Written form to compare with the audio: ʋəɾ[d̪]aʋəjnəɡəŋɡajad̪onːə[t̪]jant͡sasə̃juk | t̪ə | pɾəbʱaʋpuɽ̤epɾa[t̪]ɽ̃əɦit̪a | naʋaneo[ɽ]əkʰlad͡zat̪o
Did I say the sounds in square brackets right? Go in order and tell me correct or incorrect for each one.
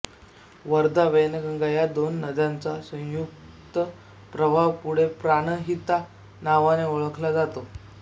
correct, incorrect, incorrect, incorrect

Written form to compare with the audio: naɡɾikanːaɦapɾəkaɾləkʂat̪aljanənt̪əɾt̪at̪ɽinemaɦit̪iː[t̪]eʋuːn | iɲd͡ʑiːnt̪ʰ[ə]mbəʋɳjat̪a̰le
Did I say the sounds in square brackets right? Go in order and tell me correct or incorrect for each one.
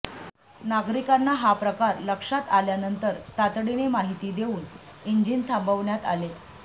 incorrect, incorrect

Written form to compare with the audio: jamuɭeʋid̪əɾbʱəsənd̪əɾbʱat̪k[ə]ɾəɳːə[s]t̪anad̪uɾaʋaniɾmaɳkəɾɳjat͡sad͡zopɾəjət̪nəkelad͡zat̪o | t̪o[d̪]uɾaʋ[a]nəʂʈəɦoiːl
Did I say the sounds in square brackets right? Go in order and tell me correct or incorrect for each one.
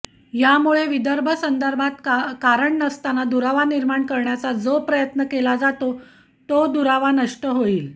incorrect, correct, correct, correct

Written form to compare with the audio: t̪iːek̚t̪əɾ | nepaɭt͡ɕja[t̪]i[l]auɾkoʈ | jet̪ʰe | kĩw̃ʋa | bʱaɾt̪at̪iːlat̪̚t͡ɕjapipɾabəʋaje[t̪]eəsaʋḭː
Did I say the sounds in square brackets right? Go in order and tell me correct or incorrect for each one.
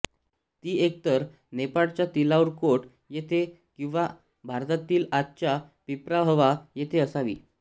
correct, correct, incorrect

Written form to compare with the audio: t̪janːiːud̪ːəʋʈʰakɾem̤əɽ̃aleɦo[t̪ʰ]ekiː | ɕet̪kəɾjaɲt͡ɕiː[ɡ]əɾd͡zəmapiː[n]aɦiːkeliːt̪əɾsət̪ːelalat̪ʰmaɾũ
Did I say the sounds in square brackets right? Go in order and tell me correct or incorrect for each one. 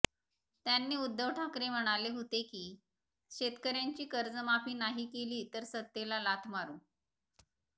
incorrect, incorrect, correct

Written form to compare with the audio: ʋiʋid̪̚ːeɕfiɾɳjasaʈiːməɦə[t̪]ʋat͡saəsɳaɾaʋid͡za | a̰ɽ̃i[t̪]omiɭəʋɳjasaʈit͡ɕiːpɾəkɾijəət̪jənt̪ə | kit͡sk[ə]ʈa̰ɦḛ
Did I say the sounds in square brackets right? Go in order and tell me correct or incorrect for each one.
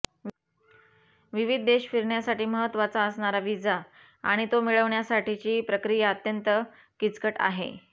correct, correct, correct

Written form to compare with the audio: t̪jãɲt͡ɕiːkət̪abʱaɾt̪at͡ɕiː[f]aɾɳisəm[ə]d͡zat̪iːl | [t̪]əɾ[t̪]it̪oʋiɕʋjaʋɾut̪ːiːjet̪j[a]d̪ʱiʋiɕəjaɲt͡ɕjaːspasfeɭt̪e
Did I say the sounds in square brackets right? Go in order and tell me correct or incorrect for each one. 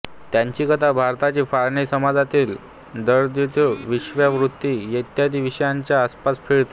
correct, incorrect, incorrect, incorrect, correct

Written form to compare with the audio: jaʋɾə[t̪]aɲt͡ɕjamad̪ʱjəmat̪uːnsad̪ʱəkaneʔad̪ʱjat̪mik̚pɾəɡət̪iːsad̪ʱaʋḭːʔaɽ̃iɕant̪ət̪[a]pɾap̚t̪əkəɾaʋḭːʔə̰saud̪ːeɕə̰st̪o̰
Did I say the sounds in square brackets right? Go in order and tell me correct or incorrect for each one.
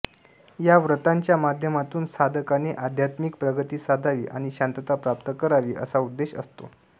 correct, correct

